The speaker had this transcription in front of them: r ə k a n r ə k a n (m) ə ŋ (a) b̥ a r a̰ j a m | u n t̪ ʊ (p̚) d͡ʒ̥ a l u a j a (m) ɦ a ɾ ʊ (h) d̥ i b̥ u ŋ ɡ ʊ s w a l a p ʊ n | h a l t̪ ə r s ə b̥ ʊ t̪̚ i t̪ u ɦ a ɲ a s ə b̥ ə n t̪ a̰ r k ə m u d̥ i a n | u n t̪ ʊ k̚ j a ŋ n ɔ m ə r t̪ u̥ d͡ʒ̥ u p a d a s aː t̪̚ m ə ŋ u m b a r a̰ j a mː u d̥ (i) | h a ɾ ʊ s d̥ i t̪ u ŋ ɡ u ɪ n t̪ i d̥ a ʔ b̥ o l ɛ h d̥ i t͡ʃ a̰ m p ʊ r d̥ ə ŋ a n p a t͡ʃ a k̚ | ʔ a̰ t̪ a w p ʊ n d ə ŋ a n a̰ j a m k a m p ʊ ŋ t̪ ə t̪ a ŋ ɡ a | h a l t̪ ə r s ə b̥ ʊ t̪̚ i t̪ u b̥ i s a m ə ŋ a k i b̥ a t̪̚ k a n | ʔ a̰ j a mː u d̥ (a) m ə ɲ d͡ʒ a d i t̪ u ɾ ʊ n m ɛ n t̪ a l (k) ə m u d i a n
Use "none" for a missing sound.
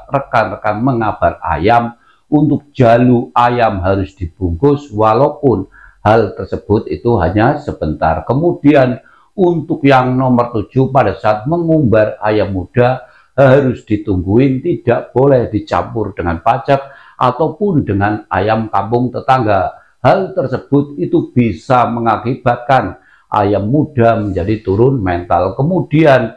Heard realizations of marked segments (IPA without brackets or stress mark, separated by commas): m, a, k̚, m, s, a, a, k